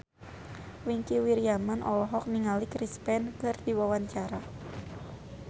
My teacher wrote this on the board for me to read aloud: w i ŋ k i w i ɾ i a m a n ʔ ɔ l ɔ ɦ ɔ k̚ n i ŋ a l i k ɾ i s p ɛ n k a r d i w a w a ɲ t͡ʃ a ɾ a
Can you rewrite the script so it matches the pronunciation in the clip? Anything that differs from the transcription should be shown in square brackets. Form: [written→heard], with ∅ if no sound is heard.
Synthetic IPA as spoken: w i ŋ k i w i ɾ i a m a n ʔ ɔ l ɔ ɦ ɔ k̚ n i ŋ a l i k ɾ i s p ɛ n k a r d i w a w a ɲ t͡ʃ a ɾ a